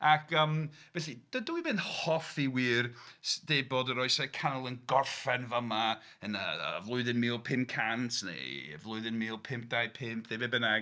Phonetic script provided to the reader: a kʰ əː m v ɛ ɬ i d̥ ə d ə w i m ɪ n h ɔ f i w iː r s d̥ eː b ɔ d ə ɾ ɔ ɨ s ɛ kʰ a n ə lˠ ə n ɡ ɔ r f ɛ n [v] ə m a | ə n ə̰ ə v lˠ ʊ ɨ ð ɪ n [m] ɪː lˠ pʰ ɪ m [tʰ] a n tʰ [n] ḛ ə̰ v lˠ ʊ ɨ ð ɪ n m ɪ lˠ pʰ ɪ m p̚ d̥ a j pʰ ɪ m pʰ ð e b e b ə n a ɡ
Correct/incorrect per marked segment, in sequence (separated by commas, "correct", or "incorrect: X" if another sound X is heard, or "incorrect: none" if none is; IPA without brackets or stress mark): correct, correct, incorrect: kʰ, correct